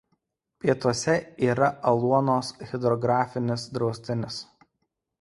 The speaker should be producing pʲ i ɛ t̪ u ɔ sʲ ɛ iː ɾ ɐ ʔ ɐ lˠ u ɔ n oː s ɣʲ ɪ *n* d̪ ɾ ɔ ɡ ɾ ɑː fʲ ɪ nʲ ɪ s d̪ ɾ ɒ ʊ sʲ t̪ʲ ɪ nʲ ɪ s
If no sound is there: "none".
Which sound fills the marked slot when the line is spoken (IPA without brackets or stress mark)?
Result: none